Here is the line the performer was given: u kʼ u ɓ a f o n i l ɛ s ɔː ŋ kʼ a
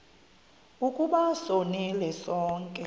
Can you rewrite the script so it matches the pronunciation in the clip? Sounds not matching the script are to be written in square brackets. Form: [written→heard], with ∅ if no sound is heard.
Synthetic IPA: u kʼ u ɓ a [f→s] o n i l ɛ s ɔː ŋ kʼ [a→ɛ]